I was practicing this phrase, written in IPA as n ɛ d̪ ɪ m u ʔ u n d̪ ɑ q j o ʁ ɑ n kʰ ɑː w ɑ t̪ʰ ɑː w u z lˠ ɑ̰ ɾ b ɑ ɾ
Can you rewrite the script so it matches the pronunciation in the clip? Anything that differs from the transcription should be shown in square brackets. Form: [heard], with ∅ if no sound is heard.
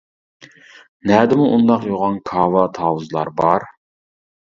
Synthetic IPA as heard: n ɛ d̪ ɪ m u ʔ u n d̪ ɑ q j o ʁ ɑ n kʰ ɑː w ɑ t̪ʰ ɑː w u z lˠ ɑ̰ ɾ b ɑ ɾ